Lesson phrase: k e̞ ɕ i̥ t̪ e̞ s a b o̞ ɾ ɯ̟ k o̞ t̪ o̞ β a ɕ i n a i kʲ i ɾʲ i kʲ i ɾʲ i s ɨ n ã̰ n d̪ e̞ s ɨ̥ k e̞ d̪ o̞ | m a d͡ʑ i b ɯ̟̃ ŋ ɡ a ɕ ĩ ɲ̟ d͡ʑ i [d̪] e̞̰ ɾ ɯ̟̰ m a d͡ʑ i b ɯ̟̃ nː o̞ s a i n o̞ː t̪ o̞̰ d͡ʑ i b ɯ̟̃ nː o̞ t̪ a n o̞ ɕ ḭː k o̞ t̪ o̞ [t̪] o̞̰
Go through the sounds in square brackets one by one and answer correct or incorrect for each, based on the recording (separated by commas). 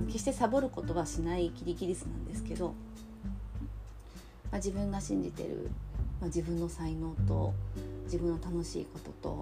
incorrect, correct